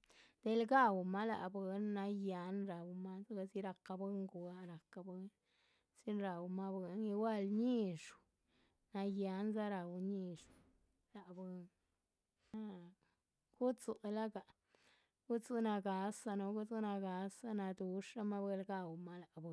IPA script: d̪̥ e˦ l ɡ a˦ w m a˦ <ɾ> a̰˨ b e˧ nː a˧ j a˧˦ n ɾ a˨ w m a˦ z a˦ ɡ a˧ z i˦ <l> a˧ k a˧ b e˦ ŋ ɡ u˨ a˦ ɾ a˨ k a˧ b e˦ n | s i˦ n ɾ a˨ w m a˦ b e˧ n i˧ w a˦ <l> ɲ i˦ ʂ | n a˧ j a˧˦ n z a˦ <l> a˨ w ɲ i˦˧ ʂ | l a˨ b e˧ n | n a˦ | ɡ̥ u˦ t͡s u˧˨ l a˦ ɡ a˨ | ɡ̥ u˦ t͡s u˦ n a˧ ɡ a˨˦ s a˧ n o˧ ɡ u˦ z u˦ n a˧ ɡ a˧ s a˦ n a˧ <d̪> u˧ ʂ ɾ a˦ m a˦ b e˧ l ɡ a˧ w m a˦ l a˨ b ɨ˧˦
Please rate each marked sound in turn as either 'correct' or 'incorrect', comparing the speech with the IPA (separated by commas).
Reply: incorrect, incorrect, correct, incorrect, correct